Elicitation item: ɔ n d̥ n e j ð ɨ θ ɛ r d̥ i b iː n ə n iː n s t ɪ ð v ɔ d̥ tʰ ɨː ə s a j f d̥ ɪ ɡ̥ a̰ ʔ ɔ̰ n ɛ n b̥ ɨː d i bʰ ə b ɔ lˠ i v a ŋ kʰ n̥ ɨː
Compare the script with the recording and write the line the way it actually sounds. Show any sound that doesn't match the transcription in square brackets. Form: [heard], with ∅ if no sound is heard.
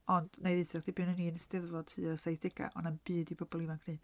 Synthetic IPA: ɔ n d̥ n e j ð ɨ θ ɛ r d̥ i b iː n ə n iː n s t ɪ ð v ɔ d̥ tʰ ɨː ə s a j [θ] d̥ ɪ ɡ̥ a̰ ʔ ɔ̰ n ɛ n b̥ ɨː d i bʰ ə b ɔ lˠ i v a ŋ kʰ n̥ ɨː